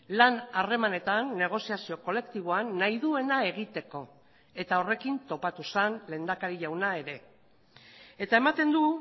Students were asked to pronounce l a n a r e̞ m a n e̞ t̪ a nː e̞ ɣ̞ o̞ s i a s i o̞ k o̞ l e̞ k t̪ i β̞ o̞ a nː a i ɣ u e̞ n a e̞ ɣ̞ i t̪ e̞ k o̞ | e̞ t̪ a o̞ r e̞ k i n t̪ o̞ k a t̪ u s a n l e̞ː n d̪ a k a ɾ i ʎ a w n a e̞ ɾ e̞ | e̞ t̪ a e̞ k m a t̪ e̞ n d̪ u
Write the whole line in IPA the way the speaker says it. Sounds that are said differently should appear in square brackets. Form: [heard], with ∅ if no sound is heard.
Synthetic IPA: l a n a r e̞ m a n e̞ t̪ a nː e̞ ɣ̞ o̞ s i a s i o̞ k o̞ l e̞ k t̪ i β̞ o̞ a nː a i [ð] u e̞ n a e̞ ɣ̞ i t̪ e̞ k o̞ | e̞ t̪ a o̞ r e̞ k i n t̪ o̞ [p] a t̪ u s a n l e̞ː n d̪ a k a ɾ i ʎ a w n a e̞ ɾ e̞ | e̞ t̪ a e̞ [∅] m a t̪ e̞ n d̪ u